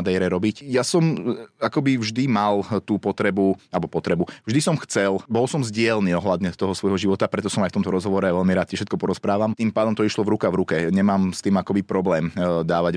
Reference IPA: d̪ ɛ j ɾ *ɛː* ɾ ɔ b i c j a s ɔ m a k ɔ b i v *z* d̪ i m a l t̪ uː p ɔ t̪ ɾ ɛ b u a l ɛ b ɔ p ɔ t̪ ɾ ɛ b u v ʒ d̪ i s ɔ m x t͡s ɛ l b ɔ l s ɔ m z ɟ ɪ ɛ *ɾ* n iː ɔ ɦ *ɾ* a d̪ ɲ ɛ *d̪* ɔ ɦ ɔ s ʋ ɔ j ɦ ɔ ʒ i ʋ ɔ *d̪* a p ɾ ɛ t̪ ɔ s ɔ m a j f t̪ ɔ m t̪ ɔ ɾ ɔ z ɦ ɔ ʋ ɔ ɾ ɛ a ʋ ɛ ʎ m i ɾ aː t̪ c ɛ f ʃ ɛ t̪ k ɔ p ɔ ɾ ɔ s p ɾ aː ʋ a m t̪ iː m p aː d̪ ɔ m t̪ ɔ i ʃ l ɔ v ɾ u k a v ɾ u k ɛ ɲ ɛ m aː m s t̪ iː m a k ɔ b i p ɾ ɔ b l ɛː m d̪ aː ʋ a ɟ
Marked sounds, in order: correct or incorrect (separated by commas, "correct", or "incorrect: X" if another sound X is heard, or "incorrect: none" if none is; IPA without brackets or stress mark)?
incorrect: ɛ, incorrect: ʒ, incorrect: l, incorrect: l, incorrect: t̪, incorrect: t̪